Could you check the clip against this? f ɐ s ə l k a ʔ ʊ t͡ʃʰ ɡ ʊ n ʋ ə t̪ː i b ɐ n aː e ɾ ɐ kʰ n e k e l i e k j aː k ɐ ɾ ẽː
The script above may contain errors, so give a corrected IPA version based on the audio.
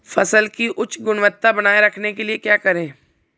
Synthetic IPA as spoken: f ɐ s ə l k i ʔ ʊ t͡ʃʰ ɡ ʊ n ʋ ə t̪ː a b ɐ n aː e ɾ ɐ kʰ n e k e l i e k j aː k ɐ ɾ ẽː